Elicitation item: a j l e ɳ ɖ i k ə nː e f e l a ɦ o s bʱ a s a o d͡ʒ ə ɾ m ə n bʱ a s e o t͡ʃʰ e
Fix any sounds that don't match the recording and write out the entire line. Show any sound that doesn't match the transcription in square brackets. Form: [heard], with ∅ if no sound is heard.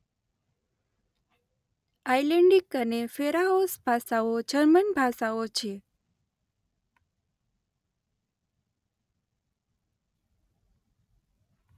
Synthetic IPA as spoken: a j l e ɳ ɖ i k ə [n] e f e [ɾ] a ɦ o s bʱ a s a o d͡ʒ ə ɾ m ə n bʱ a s [a] o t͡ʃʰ e